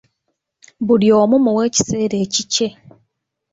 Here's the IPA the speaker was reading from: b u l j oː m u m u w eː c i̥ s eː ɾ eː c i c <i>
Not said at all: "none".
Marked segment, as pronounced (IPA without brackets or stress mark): e